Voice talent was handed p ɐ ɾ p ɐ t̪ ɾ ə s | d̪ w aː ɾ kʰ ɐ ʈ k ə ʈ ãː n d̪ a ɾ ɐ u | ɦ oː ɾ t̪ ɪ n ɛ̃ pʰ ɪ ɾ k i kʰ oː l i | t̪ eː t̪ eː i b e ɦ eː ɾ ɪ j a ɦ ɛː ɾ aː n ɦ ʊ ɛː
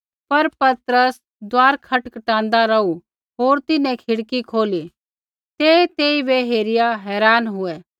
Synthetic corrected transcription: p ɐ ɾ p ɐ t̪ ɾ ə s | d̪ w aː ɾ kʰ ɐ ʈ k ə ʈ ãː n d̪ a ɾ ɐ u | ɦ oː ɾ t̪ ɪ n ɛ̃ kʰ ɪ ɽ k i kʰ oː l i | t̪ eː t̪ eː i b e ɦ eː ɾ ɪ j a ɦ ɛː ɾ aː n ɦ ʊ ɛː

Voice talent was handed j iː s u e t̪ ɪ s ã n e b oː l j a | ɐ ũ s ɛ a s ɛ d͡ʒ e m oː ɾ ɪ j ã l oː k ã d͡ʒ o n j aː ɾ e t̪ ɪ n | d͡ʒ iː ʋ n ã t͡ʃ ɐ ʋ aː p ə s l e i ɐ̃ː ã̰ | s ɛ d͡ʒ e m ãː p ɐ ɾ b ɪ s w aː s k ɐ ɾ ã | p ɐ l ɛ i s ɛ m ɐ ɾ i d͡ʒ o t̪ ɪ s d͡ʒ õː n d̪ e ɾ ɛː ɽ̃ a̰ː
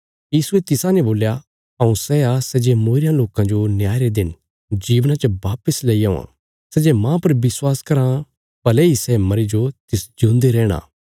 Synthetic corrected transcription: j iː s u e t̪ ɪ s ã n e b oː l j a | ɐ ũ s ɛ a s ɛ d͡ʒ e m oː ɾ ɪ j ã l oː k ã d͡ʒ o n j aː ɾ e d̪ ɪ n | d͡ʒ iː ʋ n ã t͡ʃ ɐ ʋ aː p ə s l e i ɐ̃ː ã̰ | s ɛ d͡ʒ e m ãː p ɐ ɾ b ɪ s w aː s k ɐ ɾ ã | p ɐ l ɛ i s ɛ m ɐ ɾ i d͡ʒ o t̪ ɪ s d͡ʒ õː n d̪ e ɾ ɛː ɽ̃ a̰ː

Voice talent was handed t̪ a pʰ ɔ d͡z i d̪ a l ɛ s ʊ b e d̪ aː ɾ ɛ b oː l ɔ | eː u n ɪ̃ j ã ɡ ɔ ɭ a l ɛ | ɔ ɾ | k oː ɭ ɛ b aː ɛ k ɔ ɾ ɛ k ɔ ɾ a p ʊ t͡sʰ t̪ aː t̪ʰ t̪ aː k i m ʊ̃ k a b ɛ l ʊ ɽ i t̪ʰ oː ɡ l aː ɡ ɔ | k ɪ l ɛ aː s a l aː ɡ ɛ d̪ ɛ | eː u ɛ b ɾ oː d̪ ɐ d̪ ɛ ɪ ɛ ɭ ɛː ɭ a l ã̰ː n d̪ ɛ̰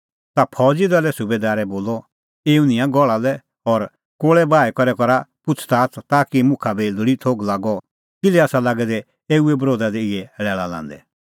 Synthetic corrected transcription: t̪ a pʰ ɔ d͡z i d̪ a l ɛ s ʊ b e d̪ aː ɾ ɛ b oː l ɔ | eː u n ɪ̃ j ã ɡ ɔ ɭ a l ɛ | ɔ ɾ | k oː ɭ ɛ b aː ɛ k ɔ ɾ ɛ k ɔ ɾ a p ʊ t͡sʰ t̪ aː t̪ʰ t̪ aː k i m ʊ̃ kʰ a b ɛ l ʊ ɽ i t̪ʰ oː ɡ l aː ɡ ɔ | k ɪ l ɛ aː s a l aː ɡ ɛ d̪ ɛ | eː u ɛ b ɾ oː d̪ a d̪ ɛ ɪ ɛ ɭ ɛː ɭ a l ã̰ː n d̪ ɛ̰

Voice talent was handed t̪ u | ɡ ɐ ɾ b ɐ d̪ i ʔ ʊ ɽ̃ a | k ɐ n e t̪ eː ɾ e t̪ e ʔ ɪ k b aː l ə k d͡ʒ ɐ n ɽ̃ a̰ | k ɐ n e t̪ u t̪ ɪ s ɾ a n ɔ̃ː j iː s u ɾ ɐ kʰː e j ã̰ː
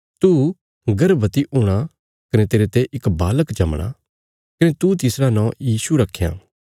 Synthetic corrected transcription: t̪ u | ɡ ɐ ɾ b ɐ t̪ i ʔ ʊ ɽ̃ a | k ɐ n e t̪ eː ɾ e t̪ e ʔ ɪ k b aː l ə k d͡ʒ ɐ m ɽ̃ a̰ | k ɐ n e t̪ u t̪ ɪ s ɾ a n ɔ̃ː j iː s u ɾ ɐ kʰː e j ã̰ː

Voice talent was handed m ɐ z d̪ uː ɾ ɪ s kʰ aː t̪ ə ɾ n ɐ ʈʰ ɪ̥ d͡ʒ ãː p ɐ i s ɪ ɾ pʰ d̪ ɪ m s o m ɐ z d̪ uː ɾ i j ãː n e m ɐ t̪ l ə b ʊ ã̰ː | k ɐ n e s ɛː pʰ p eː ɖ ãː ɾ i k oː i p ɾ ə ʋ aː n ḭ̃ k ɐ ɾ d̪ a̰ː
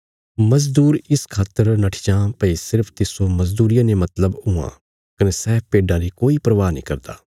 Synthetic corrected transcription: m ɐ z d̪ uː ɾ ɪ s kʰ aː t̪ ə ɾ n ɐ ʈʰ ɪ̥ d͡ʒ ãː p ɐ i s ɪ ɾ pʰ t̪ ɪ s o m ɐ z d̪ uː ɾ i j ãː n e m ɐ t̪ l ə b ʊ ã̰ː | k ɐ n e s ɛː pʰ p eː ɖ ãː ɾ i k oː i p ɾ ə ʋ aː n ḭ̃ k ɐ ɾ d̪ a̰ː

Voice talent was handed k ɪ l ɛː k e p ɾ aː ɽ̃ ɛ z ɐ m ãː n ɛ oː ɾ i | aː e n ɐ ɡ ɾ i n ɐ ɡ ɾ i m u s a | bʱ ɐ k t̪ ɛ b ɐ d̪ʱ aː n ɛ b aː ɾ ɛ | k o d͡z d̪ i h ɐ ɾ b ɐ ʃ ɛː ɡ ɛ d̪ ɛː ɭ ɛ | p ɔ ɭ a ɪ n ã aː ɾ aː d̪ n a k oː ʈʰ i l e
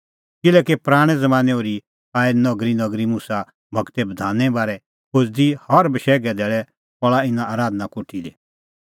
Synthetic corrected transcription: k ɪ l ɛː k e p ɾ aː ɽ̃ ɛ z ɐ m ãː n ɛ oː ɾ i | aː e n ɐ ɡ ɾ i n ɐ ɡ ɾ i m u s a | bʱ ɐ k t̪ ɛ b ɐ d̪ʱ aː n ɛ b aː ɾ ɛ | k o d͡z d̪ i h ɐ ɾ b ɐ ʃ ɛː ɡ ɛ d̪ ɛː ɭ ɛ | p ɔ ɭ a ɪ n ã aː ɾ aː d̪ n a k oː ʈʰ i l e

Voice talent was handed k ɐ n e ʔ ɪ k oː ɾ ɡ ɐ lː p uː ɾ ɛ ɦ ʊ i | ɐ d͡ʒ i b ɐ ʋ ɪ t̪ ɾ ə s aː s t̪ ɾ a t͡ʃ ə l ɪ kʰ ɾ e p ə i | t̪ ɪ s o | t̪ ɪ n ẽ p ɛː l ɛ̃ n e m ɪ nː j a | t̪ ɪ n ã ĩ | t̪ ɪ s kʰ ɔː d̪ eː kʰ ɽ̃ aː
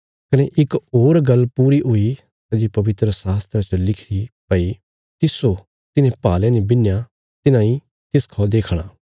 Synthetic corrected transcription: k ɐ n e ʔ ɪ k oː ɾ ɡ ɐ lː p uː ɾ i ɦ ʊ i | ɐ d͡ʒ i p ɐ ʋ ɪ t̪ ɾ ə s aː s t̪ ɾ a t͡ʃ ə l ɪ kʰ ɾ i p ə i | t̪ ɪ s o | t̪ ɪ n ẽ p aː l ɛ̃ n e b ɪ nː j a | t̪ ɪ n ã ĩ | t̪ ɪ s kʰ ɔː d̪ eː kʰ ɽ̃ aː

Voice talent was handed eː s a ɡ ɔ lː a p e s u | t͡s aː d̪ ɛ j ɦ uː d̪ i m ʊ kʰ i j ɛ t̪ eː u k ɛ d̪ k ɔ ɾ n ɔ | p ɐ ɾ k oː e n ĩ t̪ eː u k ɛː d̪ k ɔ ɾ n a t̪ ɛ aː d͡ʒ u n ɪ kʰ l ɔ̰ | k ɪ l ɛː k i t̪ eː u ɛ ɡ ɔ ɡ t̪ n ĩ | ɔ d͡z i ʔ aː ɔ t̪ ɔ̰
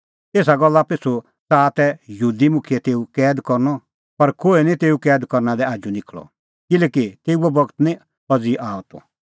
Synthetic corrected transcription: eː s a ɡ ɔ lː a p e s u | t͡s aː t̪ ɛ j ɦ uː d̪ i m ʊ kʰ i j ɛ t̪ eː u k ɛː d̪ k ɔ ɾ n ɔ | p ɐ ɾ k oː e n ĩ t̪ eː u k ɛː d̪ k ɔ ɾ n a d̪ ɛ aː d͡ʒ u n ɪ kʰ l ɔ̰ | k ɪ l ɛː k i t̪ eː u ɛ b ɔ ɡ t̪ n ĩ | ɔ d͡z i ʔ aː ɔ t̪ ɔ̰

